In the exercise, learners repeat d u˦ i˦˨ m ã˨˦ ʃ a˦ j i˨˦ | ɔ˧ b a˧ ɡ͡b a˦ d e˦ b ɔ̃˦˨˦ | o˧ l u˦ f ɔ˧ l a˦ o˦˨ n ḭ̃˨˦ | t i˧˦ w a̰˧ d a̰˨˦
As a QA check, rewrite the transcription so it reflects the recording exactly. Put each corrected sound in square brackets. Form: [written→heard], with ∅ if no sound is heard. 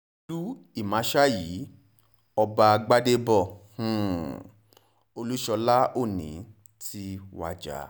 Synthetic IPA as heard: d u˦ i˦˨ m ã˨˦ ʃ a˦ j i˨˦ | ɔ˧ b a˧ ɡ͡b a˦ d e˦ b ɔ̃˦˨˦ | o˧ l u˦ [f→ʃ] ɔ˧ l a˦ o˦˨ n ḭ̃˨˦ | t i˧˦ w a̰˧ [d→d͡ʒ] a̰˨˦